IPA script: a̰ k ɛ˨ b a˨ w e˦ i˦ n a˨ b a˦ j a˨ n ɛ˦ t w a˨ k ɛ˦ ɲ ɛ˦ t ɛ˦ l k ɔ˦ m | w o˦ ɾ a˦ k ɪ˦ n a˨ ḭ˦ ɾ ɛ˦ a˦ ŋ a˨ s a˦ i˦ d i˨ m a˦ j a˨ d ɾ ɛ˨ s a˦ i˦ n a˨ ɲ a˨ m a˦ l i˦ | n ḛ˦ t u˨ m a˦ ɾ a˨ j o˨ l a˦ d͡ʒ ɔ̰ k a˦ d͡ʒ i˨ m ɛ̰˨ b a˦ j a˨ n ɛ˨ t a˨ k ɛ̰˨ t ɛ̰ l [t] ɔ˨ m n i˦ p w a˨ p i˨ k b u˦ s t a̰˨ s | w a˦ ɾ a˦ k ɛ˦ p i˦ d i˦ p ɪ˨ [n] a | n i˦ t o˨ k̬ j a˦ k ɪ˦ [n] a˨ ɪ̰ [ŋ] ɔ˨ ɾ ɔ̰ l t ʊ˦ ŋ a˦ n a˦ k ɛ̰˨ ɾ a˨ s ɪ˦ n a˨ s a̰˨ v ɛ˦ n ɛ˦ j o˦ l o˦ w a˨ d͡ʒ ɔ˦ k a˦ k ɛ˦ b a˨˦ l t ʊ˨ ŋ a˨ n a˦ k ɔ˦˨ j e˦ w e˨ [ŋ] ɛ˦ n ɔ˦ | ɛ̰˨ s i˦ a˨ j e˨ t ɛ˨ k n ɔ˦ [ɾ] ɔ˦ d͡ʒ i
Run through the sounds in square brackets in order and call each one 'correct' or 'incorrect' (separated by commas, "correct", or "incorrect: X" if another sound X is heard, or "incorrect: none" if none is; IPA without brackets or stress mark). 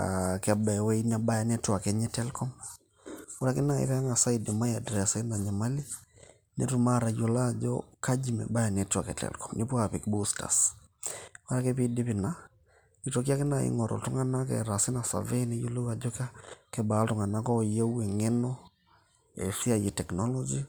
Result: incorrect: k, correct, correct, correct, correct, incorrect: l